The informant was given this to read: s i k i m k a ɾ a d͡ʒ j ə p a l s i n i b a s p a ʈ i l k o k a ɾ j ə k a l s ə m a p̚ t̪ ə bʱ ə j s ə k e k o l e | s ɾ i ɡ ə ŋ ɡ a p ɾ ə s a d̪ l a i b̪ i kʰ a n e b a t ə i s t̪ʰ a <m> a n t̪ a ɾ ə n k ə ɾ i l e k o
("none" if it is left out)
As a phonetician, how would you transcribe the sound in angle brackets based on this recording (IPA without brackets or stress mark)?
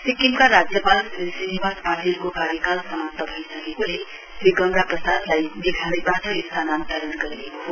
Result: n